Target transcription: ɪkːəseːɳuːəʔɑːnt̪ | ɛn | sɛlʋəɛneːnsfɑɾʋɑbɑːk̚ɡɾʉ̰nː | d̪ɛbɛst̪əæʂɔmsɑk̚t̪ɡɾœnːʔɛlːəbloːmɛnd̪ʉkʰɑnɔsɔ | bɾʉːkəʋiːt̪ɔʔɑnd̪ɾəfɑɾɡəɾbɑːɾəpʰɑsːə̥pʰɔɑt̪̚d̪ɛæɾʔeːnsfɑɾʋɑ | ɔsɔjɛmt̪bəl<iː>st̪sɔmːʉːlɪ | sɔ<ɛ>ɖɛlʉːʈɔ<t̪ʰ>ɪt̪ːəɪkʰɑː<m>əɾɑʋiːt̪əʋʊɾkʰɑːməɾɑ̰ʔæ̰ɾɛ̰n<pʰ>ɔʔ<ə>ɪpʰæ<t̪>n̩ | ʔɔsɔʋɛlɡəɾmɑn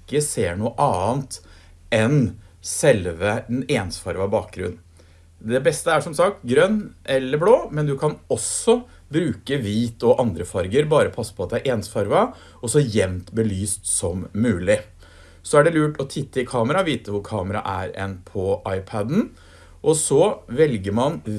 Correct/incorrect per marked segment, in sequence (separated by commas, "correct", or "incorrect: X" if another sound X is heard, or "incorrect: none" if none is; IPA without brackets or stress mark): incorrect: yː, incorrect: æ, correct, correct, correct, incorrect: ɑ, incorrect: d̪